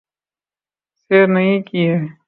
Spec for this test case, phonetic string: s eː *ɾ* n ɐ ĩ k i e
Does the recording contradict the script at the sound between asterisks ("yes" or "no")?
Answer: no